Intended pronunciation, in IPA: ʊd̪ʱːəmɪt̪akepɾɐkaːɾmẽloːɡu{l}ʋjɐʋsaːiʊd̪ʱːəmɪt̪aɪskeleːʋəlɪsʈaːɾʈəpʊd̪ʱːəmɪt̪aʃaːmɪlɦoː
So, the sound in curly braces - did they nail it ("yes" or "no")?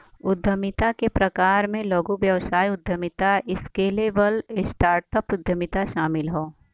no